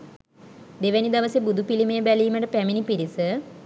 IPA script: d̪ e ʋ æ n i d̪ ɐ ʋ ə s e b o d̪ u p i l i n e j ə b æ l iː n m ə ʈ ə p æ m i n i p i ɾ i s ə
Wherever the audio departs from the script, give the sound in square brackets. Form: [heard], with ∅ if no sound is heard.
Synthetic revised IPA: d̪ e ʋ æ n i d̪ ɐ ʋ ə s e b [u] d̪ u p i l i [m] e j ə b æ l iː [∅] m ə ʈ ə p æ m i n i p i ɾ i s ə